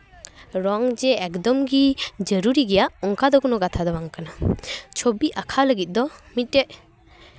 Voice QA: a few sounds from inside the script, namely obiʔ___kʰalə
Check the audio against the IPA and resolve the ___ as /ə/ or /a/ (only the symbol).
a